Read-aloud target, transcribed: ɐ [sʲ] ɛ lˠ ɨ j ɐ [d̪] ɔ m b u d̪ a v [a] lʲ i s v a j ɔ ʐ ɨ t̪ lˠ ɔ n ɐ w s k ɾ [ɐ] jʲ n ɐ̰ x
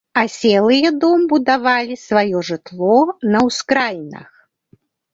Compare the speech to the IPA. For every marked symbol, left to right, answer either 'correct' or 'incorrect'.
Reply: correct, correct, correct, incorrect

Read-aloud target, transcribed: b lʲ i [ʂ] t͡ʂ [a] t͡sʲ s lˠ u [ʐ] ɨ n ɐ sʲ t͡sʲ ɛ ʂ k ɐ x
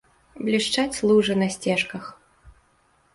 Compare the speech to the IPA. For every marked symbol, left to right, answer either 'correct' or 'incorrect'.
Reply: correct, correct, correct

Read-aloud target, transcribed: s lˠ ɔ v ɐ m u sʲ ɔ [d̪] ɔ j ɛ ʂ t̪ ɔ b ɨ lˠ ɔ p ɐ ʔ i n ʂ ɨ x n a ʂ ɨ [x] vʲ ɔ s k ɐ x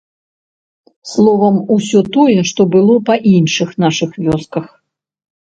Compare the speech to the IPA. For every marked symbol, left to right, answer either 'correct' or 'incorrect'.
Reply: incorrect, correct

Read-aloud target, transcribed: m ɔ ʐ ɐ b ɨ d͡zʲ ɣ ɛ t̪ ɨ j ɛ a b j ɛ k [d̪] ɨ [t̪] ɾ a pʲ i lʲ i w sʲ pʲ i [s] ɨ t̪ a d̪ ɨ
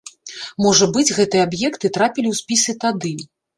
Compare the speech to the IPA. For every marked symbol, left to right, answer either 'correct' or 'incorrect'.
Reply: incorrect, correct, correct

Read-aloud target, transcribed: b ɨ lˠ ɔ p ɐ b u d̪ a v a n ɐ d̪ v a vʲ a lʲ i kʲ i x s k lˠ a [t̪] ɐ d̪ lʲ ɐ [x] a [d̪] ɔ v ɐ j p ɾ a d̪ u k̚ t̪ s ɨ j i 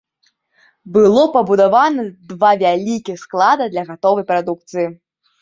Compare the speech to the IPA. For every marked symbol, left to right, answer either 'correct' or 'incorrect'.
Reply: incorrect, incorrect, incorrect

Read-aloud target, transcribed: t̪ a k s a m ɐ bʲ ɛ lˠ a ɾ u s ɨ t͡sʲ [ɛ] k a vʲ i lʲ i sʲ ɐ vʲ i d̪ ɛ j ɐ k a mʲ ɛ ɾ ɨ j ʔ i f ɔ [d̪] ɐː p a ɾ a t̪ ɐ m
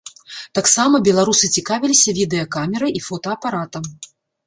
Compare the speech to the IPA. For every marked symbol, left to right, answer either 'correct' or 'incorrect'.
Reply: incorrect, incorrect

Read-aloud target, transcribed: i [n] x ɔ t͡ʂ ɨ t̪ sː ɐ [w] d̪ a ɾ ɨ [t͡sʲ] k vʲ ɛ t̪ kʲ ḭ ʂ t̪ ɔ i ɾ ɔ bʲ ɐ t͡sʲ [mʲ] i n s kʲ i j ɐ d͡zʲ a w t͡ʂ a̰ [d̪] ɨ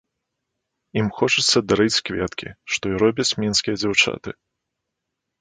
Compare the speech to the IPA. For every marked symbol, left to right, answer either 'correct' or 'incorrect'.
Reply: incorrect, incorrect, correct, correct, incorrect

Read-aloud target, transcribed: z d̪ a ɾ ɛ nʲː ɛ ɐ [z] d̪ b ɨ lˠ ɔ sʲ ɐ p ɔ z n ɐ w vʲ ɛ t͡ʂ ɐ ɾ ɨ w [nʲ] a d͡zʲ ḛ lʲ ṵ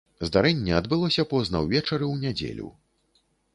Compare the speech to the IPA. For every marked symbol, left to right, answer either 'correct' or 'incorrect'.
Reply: incorrect, correct

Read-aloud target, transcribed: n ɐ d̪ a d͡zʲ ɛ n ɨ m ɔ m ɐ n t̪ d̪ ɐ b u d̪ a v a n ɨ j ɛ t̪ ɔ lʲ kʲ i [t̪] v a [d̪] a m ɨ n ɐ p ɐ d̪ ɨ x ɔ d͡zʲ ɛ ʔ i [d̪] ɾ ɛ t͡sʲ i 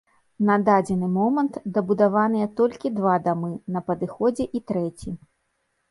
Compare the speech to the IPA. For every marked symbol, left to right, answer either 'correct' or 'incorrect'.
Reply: incorrect, correct, incorrect

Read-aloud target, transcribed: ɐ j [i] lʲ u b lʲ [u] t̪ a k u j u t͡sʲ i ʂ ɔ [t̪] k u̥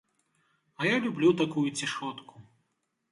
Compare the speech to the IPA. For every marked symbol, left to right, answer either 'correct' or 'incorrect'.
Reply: incorrect, correct, correct

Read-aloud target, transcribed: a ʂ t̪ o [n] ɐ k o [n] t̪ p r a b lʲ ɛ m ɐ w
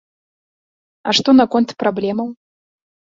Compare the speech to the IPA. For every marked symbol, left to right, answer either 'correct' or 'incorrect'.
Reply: correct, correct

